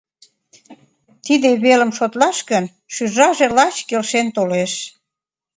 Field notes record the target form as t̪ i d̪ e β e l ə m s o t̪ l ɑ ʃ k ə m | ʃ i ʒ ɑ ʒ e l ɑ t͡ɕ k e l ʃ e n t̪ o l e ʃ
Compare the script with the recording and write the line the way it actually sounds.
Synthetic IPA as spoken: t̪ i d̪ e β e l ə m ʃ o t̪ l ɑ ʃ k ə n | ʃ y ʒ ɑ ʒ e l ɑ t͡ɕ k e l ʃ e n t̪ o l e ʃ